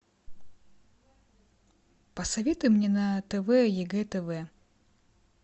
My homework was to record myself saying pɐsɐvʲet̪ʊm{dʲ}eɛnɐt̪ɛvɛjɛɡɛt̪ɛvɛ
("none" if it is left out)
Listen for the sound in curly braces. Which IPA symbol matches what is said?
nʲ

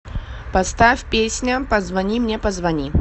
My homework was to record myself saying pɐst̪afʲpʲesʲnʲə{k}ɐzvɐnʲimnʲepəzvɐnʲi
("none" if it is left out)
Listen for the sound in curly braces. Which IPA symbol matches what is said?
p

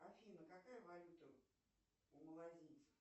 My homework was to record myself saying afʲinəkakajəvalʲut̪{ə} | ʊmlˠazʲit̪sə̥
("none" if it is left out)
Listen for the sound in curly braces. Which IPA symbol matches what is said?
ə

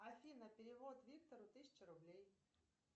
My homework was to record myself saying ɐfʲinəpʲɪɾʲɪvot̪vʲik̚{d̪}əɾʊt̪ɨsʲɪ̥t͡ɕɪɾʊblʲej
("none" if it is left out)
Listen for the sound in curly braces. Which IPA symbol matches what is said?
t̪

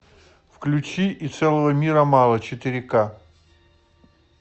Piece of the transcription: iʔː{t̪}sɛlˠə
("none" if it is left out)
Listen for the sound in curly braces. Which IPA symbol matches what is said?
t̪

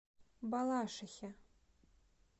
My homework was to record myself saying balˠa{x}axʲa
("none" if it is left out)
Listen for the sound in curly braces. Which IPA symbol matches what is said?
ʂ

